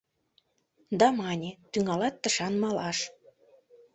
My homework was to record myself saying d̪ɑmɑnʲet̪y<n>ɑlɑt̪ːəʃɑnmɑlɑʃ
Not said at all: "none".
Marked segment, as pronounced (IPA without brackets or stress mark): ŋ